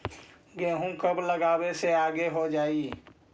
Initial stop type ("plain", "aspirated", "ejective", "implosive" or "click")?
plain